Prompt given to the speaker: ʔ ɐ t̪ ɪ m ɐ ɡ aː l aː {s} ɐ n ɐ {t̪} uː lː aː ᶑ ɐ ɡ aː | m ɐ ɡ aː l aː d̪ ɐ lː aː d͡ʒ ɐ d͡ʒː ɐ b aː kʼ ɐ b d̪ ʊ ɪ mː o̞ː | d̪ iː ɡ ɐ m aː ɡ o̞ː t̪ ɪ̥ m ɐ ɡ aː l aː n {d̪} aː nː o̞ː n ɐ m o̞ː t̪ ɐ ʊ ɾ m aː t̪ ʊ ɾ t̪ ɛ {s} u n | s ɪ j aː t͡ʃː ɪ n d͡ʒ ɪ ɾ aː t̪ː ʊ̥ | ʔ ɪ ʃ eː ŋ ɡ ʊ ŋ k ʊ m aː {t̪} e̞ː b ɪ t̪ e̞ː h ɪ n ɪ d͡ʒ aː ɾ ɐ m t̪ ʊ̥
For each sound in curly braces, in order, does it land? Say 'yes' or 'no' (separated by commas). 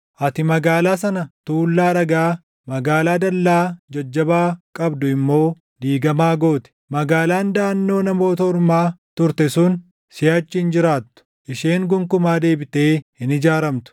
yes, yes, yes, yes, no